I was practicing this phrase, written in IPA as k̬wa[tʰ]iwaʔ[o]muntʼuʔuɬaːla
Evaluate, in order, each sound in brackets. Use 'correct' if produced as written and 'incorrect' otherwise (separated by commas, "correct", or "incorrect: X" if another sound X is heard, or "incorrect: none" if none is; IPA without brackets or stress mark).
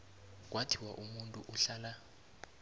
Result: correct, incorrect: u